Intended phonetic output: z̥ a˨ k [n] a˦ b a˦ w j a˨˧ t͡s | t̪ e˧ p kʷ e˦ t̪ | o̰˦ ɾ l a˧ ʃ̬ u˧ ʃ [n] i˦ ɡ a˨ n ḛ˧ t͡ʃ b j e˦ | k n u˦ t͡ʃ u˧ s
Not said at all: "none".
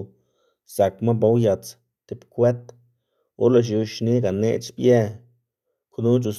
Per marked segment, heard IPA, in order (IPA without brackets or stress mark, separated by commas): m, n